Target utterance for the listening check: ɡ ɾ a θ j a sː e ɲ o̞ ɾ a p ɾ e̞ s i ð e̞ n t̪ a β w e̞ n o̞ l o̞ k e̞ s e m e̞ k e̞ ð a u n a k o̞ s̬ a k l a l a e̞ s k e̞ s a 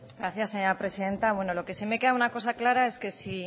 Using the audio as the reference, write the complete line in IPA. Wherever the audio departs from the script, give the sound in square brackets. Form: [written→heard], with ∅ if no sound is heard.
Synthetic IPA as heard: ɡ ɾ a θ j a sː e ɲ o̞ ɾ a p ɾ e̞ s i ð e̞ n t̪ a β w e̞ n o̞ l o̞ k e̞ s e m e̞ k e̞ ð a u n a k o̞ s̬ a k l a [l→ɾ] a e̞ s k e̞ s [a→i]